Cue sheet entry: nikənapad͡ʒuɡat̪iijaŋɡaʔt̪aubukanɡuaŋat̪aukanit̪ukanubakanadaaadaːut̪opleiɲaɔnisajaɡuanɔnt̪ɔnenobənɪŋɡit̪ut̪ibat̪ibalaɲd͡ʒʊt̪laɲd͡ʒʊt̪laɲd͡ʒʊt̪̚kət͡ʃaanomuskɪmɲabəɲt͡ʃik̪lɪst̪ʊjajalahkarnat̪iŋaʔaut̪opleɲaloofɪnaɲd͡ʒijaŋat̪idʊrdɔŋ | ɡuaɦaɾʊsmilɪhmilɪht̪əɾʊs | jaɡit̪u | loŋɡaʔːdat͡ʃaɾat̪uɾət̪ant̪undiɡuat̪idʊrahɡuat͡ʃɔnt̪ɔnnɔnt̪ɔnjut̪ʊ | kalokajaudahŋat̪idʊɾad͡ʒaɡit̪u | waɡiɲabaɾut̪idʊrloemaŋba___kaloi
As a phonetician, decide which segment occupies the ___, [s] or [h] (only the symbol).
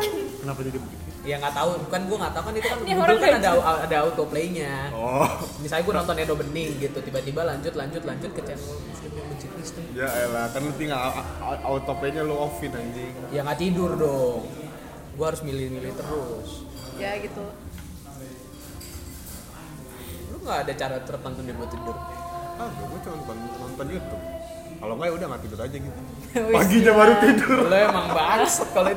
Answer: s